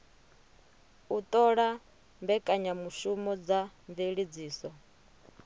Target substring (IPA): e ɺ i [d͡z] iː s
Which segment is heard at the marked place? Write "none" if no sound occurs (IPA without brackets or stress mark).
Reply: d͡z